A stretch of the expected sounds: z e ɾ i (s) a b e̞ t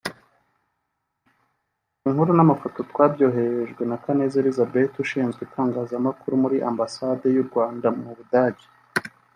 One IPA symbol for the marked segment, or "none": z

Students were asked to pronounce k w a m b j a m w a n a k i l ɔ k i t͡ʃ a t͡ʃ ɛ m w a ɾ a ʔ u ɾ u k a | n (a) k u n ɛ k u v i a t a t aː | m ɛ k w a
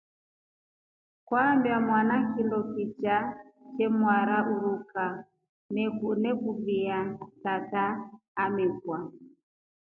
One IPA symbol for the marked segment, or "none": ɛ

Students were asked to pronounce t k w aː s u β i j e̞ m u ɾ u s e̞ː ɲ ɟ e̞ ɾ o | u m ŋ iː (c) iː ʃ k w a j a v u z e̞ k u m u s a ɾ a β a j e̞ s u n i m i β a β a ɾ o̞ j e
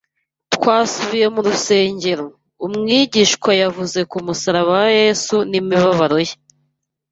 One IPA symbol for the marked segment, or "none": ɟ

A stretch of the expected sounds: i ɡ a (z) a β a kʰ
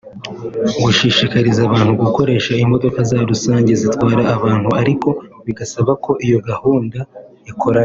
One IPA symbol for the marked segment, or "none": s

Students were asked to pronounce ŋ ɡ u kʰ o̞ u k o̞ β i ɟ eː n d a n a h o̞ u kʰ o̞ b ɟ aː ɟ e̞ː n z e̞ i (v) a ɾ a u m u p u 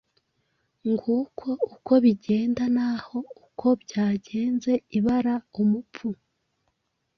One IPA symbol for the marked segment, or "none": β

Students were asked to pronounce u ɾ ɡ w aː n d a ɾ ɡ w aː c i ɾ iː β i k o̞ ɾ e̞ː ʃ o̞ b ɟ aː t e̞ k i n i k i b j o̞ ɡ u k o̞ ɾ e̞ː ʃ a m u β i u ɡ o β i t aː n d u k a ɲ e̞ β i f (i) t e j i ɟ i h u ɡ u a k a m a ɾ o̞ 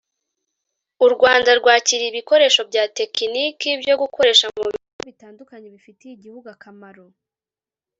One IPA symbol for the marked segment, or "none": i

